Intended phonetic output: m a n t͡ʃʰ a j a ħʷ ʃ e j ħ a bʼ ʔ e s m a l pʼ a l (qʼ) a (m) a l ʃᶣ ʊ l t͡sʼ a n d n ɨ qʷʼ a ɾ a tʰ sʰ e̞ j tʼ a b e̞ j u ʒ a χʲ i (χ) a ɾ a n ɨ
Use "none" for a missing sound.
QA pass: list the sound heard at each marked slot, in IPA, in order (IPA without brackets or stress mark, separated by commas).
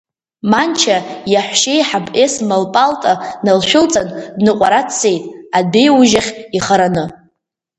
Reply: tʼ, n, χ